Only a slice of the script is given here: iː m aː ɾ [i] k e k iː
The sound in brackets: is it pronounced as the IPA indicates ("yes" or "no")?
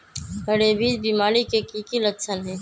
yes